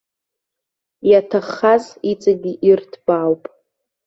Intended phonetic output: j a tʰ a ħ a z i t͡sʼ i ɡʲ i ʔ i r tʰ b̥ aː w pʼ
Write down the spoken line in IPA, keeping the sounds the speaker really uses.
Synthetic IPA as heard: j a tʰ a χ a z i t͡sʼ a ɡʲ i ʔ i r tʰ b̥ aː w pʼ